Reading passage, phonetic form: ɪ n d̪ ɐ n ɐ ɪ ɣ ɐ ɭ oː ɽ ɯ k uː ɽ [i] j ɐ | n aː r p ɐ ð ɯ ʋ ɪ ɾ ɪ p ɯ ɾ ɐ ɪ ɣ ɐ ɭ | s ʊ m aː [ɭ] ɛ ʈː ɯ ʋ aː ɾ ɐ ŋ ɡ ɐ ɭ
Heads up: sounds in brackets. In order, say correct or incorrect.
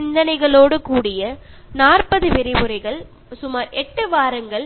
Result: incorrect, incorrect

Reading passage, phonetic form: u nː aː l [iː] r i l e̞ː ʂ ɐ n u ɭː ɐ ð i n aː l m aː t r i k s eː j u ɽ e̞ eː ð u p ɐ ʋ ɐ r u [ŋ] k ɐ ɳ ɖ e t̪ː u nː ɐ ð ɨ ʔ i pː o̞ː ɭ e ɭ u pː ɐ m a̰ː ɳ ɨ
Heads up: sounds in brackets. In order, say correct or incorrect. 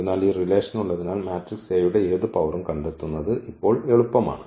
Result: correct, incorrect

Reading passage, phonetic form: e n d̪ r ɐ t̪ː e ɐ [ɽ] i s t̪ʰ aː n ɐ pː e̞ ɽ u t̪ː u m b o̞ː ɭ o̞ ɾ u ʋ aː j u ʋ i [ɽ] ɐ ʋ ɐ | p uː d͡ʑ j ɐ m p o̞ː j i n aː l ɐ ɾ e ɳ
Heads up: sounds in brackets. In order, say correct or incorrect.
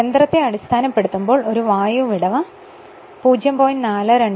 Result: correct, correct

